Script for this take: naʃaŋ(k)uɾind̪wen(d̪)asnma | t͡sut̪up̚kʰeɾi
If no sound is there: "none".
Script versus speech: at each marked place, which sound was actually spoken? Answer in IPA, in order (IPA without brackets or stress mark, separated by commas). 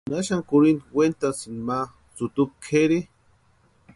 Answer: k, t̪